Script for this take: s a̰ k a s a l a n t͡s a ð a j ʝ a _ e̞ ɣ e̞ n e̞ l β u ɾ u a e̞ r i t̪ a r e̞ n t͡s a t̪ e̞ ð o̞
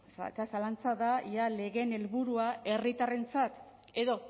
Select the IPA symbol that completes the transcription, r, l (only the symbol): l